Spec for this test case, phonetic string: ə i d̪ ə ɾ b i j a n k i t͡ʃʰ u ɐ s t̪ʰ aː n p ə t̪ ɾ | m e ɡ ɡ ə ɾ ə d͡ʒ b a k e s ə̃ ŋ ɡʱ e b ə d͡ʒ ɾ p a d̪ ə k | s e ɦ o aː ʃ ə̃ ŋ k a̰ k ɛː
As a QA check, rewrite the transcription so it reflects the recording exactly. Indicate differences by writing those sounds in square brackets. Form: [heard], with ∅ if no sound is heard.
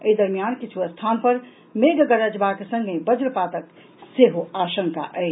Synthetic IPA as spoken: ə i d̪ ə ɾ [m] i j a n k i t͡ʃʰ u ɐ s t̪ʰ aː n p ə [∅] ɾ | m e ɡ ɡ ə ɾ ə d͡ʒ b a k e s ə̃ ŋ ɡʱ e b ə d͡ʒ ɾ p a [t̪] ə k | s e ɦ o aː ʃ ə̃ ŋ k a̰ [ʔ] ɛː